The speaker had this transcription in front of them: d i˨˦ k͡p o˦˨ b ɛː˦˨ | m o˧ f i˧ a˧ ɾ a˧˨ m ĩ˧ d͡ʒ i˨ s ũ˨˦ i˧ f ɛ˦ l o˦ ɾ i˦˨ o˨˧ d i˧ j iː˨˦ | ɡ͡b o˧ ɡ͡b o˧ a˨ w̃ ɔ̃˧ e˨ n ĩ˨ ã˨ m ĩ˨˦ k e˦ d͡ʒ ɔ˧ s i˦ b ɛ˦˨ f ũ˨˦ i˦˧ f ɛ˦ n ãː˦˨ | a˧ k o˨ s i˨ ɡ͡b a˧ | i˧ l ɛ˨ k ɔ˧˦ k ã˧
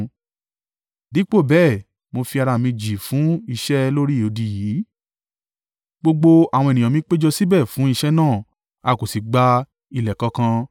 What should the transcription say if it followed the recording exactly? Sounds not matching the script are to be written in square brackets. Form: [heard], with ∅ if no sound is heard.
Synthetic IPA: d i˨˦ k͡p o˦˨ b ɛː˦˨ | m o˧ f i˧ a˧ ɾ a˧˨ m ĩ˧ d͡ʒ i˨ [f] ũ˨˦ i˧ [ʃ] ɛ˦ l o˦ ɾ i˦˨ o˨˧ d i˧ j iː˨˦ | ɡ͡b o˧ ɡ͡b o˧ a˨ w̃ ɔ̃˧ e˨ n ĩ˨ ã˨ m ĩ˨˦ [k͡p] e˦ d͡ʒ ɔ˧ s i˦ b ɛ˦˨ f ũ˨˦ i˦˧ [ʃ] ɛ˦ n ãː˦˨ | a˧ k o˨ s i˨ ɡ͡b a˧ | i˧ l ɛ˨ k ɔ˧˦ k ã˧

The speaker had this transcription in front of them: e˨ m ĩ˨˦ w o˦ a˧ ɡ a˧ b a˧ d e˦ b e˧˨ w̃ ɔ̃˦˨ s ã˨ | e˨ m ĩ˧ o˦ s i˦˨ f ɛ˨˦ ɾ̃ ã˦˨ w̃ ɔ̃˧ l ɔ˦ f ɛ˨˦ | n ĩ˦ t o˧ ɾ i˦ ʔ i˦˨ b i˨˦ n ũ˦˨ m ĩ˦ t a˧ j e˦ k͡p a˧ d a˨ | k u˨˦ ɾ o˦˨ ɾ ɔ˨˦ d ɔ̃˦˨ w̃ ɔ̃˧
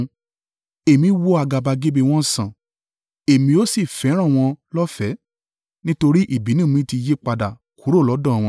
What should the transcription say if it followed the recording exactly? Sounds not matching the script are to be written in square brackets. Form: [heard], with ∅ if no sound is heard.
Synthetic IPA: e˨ m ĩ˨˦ w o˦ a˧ ɡ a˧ b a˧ [ɡ] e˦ b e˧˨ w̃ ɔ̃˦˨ s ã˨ | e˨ m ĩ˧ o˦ s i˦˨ f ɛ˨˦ ɾ̃ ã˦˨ w̃ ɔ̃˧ l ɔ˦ f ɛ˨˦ | n ĩ˦ t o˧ ɾ i˦ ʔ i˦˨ b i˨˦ n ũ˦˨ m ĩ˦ t [i˧] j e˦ k͡p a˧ d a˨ | k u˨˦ ɾ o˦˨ [l] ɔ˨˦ d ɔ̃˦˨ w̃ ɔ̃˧

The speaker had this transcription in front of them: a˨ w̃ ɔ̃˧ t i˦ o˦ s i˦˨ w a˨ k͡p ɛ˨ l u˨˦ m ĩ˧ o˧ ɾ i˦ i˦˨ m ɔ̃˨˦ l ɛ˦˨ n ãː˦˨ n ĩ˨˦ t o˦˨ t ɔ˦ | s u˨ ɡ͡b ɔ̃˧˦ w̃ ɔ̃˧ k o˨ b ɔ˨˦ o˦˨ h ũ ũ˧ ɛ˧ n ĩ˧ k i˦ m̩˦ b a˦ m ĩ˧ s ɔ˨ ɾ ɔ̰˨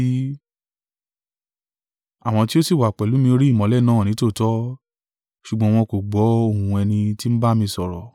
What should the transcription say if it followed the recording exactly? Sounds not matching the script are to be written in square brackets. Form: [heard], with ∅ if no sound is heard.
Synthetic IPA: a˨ w̃ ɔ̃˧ t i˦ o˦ s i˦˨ w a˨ k͡p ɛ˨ l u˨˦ m ĩ˧ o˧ ɾ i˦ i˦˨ m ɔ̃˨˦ l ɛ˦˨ n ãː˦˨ n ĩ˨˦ t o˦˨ t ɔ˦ | [ʃ] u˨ ɡ͡b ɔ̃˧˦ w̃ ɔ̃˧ k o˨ [ɡ͡b] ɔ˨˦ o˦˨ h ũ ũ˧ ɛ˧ n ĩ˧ [t] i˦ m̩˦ b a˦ m ĩ˧ s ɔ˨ ɾ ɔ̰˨

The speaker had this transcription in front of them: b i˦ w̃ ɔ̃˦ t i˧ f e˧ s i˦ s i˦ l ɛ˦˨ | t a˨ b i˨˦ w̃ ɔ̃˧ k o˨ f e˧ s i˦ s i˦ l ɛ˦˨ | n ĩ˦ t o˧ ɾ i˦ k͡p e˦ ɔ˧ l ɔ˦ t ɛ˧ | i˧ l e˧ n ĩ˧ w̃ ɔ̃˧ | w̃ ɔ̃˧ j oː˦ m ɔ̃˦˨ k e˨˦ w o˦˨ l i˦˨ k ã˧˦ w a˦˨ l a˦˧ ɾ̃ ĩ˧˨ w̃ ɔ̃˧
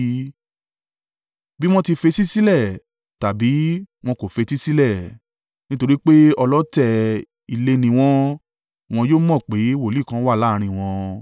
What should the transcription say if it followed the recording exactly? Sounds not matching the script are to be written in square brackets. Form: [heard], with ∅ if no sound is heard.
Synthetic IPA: b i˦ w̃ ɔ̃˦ t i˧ f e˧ s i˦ s i˦ l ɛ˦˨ | t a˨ b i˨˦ w̃ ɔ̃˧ k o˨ f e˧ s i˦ s i˦ l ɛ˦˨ | n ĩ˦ t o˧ ɾ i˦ k͡p e˦ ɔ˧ l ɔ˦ t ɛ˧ | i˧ l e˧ n ĩ˧ w̃ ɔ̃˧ | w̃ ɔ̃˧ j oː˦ m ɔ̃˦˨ [k͡p] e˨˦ w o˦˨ l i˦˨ k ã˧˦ w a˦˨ l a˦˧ ɾ̃ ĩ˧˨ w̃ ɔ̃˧

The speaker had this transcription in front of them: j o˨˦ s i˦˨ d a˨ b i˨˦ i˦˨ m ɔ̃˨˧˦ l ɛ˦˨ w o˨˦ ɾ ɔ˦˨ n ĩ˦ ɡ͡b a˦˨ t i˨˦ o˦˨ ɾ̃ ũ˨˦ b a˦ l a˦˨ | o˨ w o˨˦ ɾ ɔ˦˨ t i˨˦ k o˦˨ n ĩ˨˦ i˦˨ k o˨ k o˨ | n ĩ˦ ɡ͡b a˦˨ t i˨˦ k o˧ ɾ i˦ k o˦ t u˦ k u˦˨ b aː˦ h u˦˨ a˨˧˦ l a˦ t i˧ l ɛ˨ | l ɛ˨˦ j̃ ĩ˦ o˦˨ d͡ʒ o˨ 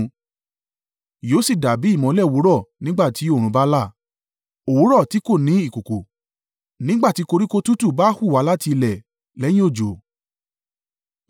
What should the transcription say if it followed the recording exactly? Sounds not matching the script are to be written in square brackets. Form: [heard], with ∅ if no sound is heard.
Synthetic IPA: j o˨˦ s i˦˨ d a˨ b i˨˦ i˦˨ m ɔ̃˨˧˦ l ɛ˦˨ w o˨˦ ɾ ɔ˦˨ n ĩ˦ ɡ͡b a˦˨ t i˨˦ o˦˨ ɾ̃ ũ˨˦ b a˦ l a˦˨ | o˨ w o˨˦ ɾ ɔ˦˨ t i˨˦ k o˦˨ n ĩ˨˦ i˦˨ k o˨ k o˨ | n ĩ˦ ɡ͡b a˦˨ t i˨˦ k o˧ ɾ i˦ k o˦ t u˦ [t] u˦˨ b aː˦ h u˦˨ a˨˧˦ l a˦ t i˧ l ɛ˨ | l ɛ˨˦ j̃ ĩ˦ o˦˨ d͡ʒ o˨

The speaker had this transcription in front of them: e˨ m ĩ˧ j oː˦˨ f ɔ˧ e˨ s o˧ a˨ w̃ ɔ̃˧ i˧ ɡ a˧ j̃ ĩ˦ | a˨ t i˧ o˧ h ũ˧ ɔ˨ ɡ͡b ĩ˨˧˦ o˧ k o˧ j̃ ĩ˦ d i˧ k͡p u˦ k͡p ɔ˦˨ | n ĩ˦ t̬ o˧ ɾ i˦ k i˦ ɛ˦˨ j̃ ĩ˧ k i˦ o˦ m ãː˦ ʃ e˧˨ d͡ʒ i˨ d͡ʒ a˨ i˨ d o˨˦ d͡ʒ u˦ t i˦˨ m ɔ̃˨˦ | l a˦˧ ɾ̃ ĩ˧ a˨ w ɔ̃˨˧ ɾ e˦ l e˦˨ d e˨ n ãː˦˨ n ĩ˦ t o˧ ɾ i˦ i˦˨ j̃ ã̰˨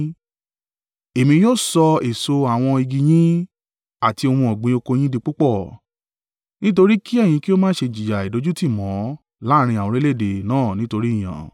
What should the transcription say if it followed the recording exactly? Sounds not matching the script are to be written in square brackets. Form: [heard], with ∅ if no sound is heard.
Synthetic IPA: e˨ m ĩ˧ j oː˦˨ [s] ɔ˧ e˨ s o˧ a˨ w̃ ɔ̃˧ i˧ ɡ [i˧] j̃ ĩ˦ | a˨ t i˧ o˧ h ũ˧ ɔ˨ ɡ͡b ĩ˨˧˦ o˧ k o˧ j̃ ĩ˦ d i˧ k͡p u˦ k͡p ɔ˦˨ | n ĩ˦ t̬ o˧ ɾ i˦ k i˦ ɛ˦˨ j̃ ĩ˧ k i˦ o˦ m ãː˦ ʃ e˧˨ d͡ʒ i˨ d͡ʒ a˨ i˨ d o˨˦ d͡ʒ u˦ t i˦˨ m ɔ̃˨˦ | l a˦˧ ɾ̃ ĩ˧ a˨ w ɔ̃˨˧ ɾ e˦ l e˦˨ d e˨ n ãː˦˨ n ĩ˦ t o˧ ɾ i˦ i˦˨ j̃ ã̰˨

